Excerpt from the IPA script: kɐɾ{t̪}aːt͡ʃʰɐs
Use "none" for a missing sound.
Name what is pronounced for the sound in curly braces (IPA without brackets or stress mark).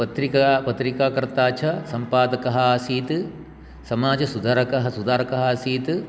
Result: t̪